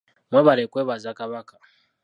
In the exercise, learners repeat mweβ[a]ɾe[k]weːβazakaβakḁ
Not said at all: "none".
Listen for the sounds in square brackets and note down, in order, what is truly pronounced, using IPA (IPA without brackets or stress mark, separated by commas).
a, k